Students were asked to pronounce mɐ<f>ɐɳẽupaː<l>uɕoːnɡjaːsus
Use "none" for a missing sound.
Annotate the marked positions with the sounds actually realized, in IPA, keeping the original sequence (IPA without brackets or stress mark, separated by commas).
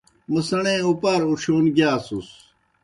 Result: s, ɾ